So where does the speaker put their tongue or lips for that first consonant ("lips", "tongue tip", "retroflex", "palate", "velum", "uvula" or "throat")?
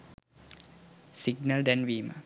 tongue tip